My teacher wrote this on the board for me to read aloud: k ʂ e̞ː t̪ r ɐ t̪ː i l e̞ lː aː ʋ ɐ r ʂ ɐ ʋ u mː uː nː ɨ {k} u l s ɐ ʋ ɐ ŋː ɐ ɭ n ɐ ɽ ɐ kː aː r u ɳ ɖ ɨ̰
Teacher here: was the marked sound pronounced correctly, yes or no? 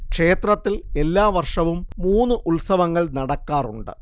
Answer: no